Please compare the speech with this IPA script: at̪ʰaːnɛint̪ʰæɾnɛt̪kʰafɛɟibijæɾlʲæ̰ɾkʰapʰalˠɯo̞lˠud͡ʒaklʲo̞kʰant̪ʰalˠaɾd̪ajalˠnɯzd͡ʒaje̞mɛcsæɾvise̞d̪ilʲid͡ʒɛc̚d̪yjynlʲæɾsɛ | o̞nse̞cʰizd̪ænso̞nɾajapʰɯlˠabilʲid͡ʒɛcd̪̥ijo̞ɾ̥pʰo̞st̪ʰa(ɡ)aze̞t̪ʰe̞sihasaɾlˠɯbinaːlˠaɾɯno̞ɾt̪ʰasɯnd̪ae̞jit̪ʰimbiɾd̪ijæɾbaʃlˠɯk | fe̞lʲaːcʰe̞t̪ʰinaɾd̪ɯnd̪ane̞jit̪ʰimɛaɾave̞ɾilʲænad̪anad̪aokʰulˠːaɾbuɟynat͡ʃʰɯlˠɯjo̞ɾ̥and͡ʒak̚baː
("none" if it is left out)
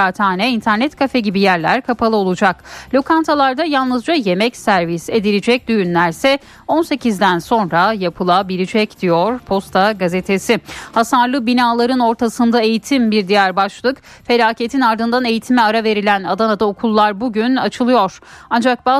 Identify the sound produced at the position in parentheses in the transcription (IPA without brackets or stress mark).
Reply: ɡ